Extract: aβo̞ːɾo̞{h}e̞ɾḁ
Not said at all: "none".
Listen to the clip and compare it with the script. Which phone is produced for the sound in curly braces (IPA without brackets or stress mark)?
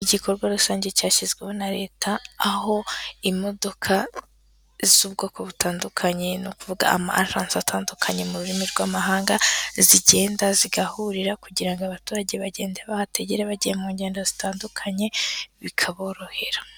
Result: h